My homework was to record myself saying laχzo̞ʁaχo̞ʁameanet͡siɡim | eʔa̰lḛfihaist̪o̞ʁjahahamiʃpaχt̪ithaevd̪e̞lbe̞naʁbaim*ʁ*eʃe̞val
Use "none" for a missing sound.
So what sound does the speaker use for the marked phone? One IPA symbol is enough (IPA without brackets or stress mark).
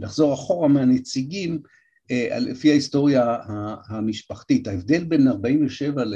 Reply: v